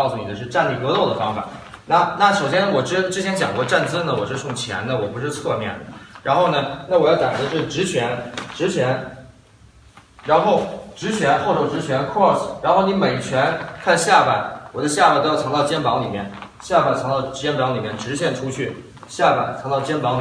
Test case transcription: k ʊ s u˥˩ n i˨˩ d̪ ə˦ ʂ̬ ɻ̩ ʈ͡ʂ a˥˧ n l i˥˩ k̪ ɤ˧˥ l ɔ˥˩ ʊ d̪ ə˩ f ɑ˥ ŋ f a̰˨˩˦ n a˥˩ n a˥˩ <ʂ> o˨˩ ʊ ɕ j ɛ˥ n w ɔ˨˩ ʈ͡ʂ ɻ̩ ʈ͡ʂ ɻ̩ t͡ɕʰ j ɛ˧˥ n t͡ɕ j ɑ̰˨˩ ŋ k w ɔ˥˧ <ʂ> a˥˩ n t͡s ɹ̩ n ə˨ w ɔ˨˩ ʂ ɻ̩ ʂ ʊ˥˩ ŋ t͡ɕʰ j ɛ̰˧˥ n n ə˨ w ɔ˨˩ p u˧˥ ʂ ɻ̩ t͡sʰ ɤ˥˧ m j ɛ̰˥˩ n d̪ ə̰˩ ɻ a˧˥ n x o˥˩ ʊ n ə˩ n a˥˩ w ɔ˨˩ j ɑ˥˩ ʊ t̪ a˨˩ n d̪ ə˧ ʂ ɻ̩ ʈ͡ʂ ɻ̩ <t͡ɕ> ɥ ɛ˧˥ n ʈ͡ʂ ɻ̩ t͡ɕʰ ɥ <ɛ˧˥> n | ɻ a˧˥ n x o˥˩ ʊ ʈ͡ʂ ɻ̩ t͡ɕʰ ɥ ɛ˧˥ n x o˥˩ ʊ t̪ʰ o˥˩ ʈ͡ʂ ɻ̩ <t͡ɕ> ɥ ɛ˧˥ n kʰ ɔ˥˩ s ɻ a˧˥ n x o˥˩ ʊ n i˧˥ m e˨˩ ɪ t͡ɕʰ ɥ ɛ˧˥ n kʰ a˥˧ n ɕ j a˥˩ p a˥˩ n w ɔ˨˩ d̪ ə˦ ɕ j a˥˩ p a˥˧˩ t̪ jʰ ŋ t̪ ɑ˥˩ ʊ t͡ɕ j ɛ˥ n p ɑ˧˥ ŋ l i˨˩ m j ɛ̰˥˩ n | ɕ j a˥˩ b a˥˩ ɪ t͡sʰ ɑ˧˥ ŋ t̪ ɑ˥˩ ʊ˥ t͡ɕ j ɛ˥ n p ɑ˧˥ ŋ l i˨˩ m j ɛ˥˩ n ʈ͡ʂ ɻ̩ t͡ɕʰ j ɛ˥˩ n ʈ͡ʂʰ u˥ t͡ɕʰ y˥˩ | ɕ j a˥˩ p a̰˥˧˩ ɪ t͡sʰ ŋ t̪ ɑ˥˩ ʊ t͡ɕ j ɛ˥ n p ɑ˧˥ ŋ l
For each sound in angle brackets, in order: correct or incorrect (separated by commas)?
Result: correct, incorrect, incorrect, correct, incorrect